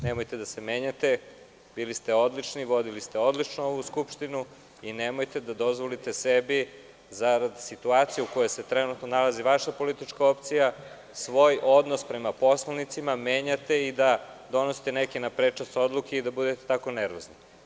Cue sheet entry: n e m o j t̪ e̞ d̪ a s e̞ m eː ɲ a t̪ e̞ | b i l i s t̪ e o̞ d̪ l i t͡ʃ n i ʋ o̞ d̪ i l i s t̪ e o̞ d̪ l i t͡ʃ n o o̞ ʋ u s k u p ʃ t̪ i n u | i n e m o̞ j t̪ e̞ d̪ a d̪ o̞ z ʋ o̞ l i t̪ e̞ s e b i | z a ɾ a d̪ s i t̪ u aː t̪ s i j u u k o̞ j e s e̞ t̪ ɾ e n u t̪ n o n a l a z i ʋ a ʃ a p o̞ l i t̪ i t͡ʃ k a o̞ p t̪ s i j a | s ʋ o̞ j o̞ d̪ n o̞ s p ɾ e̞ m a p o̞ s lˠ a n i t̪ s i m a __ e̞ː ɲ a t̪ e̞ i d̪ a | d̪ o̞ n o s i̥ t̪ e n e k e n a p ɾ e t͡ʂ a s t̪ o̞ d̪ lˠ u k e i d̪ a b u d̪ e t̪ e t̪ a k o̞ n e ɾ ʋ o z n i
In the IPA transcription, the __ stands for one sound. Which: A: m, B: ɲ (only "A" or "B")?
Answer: A